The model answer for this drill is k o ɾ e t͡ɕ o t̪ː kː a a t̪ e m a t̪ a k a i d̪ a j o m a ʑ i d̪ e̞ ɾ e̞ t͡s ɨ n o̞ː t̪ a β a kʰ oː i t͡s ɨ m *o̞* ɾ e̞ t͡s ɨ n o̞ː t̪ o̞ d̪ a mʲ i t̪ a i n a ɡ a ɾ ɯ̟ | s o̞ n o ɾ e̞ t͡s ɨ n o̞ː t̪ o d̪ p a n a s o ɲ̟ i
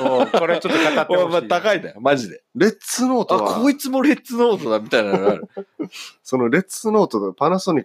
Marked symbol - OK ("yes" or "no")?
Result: yes